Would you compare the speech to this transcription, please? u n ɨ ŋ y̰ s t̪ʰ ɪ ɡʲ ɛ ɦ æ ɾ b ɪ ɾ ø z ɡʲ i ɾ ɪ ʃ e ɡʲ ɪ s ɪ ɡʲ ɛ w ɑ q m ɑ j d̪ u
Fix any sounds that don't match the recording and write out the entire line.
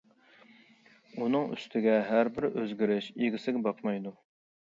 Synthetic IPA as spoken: u n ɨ ŋ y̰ s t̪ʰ ɪ ɡʲ ɛ ɦ æ ɾ b ɪ ɾ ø z ɡʲ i ɾ ɪ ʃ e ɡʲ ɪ s ɪ ɡʲ ɛ b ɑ q m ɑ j d̪ u